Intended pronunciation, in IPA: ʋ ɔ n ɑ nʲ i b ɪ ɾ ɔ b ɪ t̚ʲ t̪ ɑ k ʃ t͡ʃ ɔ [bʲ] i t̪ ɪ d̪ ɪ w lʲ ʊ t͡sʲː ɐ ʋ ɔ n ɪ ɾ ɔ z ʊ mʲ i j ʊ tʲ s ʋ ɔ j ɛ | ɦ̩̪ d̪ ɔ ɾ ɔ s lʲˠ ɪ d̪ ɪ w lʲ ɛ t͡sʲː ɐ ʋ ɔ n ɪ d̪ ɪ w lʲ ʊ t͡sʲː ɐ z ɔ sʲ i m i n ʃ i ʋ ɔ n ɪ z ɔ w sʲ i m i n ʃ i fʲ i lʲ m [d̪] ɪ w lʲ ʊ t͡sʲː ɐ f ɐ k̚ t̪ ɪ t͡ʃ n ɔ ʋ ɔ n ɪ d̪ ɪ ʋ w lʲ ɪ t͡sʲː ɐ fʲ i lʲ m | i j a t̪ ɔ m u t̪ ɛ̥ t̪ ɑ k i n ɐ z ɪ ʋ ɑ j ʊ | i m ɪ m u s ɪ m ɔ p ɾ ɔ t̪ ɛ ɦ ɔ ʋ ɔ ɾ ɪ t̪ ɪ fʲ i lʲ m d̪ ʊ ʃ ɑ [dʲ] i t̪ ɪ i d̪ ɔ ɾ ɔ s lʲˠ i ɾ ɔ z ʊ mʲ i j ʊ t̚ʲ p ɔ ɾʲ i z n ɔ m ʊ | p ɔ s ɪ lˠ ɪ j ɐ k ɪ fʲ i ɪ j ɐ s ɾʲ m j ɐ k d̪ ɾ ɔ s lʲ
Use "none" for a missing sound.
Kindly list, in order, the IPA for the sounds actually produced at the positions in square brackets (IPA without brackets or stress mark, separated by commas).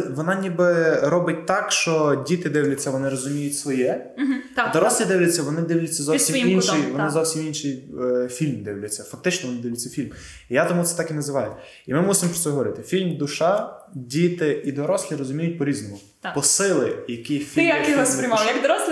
dʲ, d̪, dʲ